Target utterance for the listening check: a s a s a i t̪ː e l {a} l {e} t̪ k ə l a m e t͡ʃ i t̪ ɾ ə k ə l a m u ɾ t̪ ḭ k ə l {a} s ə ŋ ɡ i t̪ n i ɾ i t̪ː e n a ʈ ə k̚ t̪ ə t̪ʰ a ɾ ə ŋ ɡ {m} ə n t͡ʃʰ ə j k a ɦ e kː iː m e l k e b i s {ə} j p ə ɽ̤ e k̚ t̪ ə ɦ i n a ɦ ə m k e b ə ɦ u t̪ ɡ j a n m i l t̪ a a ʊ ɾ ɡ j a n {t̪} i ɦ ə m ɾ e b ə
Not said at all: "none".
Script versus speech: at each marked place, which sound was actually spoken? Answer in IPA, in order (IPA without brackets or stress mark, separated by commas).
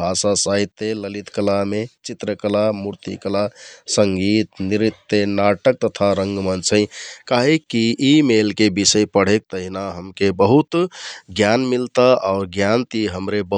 ə, i, a, m, ə, t̪